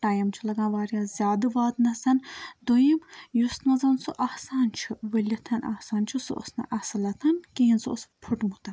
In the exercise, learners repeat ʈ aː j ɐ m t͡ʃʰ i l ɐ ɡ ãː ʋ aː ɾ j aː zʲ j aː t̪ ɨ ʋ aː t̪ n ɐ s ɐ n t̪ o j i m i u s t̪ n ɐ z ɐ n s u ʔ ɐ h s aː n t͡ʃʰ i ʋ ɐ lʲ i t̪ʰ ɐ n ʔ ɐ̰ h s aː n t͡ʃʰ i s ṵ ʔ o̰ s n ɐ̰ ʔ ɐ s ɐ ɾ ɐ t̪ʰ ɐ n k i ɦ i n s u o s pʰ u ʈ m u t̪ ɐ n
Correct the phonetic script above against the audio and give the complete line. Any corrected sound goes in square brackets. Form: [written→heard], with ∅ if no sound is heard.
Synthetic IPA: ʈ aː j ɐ m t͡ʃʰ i l ɐ ɡ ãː ʋ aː ɾ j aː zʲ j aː [t̪→d̪] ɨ ʋ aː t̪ n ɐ s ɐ n [t̪→d̪] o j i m [i→j] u s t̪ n ɐ z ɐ n s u ʔ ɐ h s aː n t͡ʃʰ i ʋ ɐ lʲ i t̪ʰ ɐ n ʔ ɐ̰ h s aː n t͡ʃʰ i s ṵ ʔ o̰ s n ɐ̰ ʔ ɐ s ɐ [ɾ→l] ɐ t̪ʰ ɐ n k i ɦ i n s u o s pʰ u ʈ m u t̪ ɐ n